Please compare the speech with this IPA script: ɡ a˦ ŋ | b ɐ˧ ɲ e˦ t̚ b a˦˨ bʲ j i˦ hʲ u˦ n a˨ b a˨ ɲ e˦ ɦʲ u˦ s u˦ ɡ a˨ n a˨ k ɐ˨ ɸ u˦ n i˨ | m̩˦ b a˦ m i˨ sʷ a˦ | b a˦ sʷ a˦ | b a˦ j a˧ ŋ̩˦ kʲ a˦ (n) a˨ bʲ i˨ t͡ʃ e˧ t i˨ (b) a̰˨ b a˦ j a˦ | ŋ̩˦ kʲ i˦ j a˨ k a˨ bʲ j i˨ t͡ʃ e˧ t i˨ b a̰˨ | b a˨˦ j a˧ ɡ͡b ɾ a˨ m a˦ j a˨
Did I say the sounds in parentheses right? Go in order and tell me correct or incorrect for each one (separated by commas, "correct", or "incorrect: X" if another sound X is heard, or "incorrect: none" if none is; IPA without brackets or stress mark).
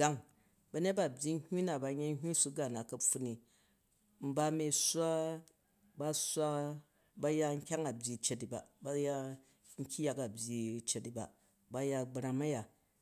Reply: incorrect: ŋ, correct